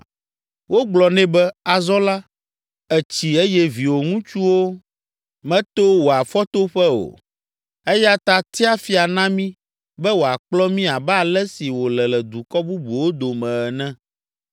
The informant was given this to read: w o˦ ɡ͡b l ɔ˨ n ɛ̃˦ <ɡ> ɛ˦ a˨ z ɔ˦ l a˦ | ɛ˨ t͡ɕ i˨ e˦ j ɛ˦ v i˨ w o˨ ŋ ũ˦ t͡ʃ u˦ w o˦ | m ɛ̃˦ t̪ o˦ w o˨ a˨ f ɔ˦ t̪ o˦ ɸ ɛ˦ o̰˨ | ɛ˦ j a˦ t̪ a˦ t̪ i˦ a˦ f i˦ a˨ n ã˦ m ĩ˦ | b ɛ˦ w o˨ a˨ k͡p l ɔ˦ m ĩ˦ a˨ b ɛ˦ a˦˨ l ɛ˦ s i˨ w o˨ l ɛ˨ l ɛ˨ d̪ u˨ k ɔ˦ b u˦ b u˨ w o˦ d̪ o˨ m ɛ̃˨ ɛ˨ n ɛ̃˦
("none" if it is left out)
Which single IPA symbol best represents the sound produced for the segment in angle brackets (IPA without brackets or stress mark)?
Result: b